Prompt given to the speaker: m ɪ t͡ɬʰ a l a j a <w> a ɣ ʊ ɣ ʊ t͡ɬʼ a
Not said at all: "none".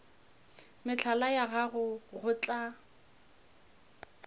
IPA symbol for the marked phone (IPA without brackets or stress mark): ɣ